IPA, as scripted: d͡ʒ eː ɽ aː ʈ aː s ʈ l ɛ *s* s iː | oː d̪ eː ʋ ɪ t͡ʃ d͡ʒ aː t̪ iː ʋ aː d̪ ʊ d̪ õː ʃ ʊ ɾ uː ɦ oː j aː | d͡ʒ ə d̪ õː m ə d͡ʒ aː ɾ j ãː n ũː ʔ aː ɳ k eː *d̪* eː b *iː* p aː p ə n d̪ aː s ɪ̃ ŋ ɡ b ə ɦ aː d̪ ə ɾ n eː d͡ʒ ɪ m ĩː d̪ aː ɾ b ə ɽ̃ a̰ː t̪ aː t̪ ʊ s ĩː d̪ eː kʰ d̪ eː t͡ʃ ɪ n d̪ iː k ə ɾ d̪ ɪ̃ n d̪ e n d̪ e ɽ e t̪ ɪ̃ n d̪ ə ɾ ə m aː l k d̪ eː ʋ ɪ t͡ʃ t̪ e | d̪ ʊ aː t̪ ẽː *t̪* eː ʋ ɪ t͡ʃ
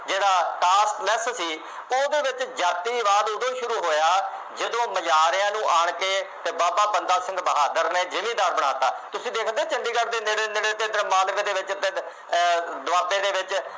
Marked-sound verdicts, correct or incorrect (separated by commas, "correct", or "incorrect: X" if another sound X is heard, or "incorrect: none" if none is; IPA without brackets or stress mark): correct, incorrect: t̪, incorrect: aː, incorrect: d̪